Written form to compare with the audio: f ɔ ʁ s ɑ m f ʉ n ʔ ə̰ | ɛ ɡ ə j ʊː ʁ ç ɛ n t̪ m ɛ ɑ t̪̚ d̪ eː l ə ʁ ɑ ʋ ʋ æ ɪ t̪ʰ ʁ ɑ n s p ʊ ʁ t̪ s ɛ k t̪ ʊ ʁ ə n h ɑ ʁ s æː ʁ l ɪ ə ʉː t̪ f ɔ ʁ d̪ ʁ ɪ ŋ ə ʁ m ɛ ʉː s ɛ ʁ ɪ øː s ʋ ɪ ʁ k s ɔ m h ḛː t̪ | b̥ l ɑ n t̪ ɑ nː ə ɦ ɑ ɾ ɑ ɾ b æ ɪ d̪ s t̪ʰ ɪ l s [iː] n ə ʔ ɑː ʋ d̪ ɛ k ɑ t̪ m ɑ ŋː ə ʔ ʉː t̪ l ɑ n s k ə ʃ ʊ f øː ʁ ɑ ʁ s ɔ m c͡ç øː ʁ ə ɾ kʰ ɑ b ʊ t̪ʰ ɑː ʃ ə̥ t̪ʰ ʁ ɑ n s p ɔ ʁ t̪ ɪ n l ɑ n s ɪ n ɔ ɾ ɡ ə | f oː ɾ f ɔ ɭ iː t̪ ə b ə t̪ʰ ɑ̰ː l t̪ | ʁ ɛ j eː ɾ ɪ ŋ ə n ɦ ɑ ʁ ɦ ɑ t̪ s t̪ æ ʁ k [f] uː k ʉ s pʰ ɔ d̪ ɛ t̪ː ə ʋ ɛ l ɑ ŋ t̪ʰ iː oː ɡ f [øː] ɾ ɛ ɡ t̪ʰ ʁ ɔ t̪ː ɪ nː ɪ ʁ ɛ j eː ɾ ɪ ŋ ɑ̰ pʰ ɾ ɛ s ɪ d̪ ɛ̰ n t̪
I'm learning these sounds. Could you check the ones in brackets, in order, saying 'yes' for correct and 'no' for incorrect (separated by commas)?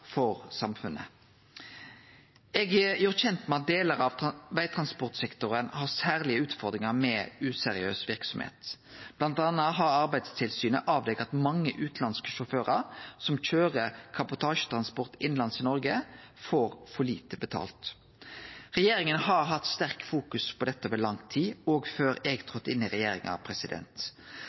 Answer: no, yes, yes